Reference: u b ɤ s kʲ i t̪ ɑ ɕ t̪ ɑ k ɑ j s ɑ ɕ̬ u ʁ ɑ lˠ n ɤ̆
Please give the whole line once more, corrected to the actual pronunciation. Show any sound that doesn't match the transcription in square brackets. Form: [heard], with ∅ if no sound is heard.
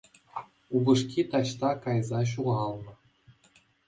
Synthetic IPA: u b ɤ [ʂ] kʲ i t̪ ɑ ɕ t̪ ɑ k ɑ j [z] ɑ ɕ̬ u ʁ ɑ lˠ n ɤ̆